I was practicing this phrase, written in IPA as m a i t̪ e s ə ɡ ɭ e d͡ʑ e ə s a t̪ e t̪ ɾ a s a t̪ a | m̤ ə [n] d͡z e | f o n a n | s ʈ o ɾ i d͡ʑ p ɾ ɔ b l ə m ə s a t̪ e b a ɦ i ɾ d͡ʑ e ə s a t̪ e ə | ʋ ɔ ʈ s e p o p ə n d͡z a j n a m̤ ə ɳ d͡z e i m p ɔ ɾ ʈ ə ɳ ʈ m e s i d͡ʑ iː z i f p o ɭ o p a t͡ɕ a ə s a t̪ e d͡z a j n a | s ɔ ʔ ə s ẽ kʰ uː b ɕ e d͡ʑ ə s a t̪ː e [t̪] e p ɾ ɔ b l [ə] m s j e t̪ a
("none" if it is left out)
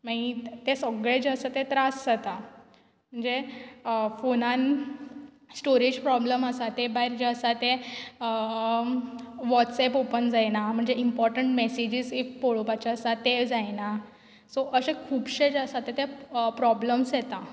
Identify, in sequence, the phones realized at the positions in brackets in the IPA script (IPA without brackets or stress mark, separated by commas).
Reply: ɳ, t̪, ə